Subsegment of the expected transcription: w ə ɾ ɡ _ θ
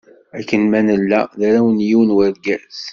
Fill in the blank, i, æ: æ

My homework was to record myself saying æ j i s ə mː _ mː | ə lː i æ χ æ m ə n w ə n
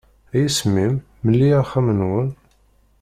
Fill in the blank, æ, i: i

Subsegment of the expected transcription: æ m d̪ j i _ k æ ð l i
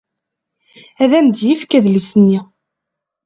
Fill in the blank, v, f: f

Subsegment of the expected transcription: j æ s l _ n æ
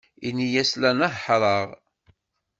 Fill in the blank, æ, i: æ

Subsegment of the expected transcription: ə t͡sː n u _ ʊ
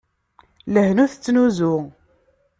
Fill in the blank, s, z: z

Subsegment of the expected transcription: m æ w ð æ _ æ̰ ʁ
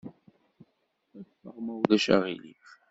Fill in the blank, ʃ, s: ʃ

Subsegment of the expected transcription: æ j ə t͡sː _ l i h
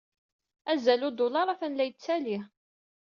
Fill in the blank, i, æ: æ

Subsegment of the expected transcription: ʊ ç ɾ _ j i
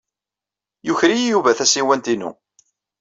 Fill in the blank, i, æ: i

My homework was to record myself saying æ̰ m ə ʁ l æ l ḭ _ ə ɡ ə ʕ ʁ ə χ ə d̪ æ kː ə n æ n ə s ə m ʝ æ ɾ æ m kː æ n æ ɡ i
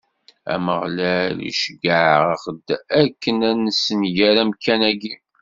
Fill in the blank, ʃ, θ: ʃ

